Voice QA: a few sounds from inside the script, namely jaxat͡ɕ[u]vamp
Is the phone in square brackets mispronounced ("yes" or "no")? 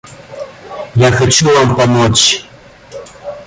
no